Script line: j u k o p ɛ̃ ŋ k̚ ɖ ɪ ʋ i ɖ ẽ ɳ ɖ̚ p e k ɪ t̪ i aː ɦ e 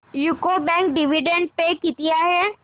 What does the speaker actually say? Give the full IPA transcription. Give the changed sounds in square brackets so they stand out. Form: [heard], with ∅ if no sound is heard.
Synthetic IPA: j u k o [b] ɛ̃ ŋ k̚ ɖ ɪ ʋ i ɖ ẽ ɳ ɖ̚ p e k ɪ t̪ i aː ɦ e

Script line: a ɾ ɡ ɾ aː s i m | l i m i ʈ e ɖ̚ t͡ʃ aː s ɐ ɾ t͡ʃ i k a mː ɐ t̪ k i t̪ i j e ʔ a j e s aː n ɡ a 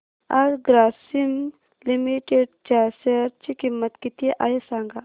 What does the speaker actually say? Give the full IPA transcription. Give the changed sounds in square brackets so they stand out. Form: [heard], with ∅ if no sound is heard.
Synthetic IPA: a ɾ ɡ ɾ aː s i m | l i m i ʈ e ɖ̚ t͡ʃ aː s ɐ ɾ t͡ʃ i k [i] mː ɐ t̪ k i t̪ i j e ʔ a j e s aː [ŋ] ɡ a

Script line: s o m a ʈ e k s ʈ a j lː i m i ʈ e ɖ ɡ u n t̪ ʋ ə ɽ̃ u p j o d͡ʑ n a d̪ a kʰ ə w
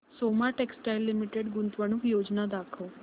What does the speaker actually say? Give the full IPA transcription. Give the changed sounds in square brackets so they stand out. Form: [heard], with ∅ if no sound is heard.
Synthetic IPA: s o m a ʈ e k s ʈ a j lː i m i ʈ e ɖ ɡ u n t̪ ʋ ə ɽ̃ u [k] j o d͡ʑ n a d̪ a kʰ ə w

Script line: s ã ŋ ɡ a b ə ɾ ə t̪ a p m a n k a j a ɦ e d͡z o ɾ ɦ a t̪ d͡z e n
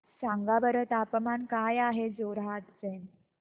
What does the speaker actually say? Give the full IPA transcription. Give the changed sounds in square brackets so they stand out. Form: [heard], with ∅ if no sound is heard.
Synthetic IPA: s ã ŋ ɡ a b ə ɾ ə t̪ a p m a n k a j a ɦ e d͡z o ɾ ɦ a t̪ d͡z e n

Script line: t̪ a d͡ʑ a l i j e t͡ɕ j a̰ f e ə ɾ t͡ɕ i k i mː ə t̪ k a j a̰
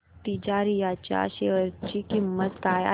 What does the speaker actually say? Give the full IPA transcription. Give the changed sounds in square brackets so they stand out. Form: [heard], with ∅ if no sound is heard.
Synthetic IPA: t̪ [i] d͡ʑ a [ɾ] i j [a] t͡ɕ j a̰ [ɕ] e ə ɾ t͡ɕ i k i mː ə t̪ k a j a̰

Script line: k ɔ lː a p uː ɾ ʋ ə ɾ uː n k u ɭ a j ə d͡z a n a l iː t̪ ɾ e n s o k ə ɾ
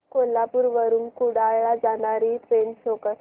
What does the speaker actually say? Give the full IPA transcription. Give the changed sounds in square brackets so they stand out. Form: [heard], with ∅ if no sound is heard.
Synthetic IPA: k [o] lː a p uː ɾ ʋ ə ɾ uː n k u [ɽ] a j [a] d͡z a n a [ɾ] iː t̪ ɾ e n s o k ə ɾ

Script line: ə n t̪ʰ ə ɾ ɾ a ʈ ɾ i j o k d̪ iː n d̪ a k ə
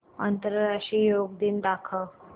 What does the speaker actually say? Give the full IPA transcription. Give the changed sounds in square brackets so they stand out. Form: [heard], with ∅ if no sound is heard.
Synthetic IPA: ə n [t̪] ə ɾ ɾ a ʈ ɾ i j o [ɡ] d̪ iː n d̪ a [kʰ] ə

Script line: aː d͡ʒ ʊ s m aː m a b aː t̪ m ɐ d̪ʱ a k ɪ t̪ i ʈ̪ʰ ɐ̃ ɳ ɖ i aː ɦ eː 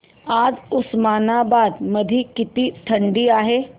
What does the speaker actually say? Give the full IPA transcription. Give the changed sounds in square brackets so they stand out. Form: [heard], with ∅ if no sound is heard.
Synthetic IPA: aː d͡ʒ ʊ s m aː [n] a b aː [d̪] m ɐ d̪ʱ [i] k ɪ t̪ i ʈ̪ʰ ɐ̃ ɳ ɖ i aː ɦ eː

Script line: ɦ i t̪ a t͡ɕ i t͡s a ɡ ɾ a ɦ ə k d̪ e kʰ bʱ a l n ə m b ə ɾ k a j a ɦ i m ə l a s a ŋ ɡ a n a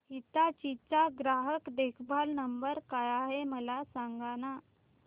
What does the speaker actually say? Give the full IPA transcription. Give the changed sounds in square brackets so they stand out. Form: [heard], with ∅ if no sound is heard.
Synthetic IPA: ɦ i t̪ a t͡ɕ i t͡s a ɡ ɾ a ɦ ə k d̪ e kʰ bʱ a l n ə m b ə ɾ k a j a ɦ [e] m ə l a s a ŋ ɡ a n a

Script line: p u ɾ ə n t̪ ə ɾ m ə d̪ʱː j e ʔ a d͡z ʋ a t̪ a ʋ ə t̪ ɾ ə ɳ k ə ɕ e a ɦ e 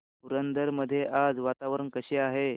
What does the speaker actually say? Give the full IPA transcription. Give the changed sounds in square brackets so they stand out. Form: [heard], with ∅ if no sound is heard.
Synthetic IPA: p u ɾ ə n [d̪] ə ɾ m ə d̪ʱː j e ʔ a d͡z ʋ a t̪ a ʋ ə [∅] ɾ ə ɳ k ə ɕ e a ɦ e

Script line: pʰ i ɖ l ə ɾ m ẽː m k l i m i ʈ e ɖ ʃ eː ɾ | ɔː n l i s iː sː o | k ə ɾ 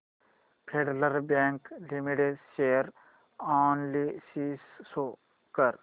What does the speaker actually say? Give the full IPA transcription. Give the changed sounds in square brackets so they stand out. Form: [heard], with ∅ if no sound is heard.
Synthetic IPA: pʰ [e] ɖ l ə ɾ [b] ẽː [ŋ] k l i m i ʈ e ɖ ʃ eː ɾ | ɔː n l i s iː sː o | k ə ɾ

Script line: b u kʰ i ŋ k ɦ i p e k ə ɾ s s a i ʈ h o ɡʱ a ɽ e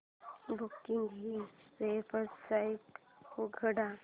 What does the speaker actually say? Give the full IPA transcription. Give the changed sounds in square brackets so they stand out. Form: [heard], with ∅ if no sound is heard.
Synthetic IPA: b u [k] i ŋ [ɡ] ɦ i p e [p] ə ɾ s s a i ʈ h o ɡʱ [ə] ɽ [a]

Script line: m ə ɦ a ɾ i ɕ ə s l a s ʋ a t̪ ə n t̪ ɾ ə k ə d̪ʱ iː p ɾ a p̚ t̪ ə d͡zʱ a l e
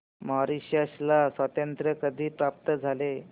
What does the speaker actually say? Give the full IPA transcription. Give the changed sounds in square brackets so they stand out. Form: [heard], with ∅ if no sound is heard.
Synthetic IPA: m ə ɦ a ɾ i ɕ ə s l a s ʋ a t̪ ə n t̪ ɾ ə k ə d̪ʱ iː p ɾ a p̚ t̪ ə d͡zʱ a l e

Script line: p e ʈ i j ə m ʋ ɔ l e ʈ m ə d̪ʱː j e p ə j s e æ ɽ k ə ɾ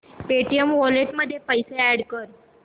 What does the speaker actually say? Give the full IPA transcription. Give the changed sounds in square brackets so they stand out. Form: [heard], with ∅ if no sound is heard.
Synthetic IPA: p e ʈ i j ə m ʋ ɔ l e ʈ m ə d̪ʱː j e p ə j s e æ ɽ k ə ɾ

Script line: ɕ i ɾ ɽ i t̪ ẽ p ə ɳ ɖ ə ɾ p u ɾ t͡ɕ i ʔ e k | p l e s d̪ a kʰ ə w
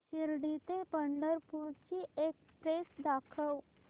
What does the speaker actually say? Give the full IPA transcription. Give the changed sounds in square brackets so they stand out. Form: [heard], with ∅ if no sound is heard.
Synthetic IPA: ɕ i ɾ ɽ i t̪ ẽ p ə ɳ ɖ ə ɾ p u ɾ t͡ɕ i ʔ e k | p [ɾ] e s d̪ a kʰ ə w

